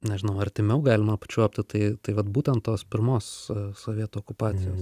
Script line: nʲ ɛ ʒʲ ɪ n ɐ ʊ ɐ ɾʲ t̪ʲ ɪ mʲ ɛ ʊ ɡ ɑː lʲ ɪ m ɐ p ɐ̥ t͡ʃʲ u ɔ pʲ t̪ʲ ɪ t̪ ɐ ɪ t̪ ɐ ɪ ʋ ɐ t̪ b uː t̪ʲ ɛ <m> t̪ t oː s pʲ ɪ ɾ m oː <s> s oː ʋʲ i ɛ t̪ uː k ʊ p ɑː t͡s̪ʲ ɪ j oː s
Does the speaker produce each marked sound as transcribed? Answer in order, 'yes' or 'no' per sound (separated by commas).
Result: no, yes